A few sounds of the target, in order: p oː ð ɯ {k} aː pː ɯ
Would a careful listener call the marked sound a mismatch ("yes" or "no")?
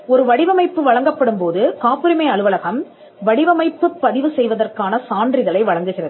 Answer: no